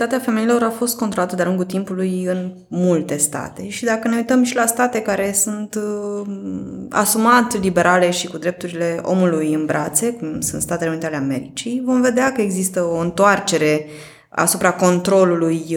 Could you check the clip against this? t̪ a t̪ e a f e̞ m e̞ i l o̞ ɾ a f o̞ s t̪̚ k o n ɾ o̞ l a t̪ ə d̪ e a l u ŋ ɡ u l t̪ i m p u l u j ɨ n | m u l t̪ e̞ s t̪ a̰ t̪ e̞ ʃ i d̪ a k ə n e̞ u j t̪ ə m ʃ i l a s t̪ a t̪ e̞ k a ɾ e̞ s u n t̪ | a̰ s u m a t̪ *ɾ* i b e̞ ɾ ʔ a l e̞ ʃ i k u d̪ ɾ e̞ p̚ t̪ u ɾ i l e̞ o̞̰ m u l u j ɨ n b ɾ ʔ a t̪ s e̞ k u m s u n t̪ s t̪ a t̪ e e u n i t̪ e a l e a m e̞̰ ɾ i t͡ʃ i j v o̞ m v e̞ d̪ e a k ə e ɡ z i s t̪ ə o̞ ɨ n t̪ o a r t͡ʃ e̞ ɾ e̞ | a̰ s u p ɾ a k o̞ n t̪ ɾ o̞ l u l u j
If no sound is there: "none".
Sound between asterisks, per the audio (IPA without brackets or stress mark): l